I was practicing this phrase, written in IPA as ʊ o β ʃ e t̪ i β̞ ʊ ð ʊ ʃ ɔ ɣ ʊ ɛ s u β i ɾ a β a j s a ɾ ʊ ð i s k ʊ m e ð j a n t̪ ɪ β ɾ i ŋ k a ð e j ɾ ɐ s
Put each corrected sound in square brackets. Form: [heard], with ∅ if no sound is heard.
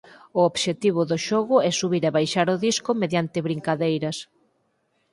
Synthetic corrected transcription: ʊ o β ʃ e t̪ i β̞ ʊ ð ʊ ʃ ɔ ɣ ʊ ɛ s u β i ɾ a β a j [ʃ] a ɾ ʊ ð i s k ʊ m e ð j a n t̪ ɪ β ɾ i ŋ k a ð e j ɾ ɐ s